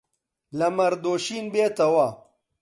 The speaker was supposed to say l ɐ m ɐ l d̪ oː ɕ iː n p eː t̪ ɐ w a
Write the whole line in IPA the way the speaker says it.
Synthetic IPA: l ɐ m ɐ ɾ d̪ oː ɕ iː n b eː t̪ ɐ w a